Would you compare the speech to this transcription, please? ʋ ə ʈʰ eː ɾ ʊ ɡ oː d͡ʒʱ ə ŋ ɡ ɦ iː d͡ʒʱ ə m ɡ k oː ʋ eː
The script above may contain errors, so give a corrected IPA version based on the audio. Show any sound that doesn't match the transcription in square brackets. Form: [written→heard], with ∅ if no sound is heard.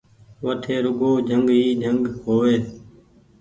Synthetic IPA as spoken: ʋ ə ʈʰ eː ɾ ʊ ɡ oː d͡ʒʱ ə ŋ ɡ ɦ iː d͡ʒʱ ə [m→ŋ] ɡ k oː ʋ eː